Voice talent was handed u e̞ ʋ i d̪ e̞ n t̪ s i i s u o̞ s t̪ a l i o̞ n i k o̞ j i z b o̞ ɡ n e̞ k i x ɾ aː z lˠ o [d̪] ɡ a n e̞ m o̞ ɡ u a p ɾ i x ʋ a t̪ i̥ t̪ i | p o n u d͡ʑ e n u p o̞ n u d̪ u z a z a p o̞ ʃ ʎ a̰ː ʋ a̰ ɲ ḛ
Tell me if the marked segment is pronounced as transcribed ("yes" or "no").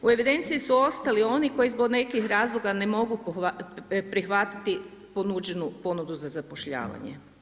no